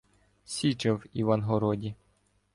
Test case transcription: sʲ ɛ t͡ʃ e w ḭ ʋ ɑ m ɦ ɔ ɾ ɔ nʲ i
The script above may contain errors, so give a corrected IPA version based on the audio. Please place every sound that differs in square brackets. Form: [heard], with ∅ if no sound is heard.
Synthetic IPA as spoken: sʲ [i] t͡ʃ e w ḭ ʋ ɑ [n] ɦ ɔ ɾ ɔ [dʲ] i